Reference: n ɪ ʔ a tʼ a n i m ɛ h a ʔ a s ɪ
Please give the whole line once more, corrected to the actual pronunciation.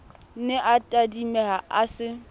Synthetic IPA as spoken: n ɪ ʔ a tʼ a d i m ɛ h a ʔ a s ɪ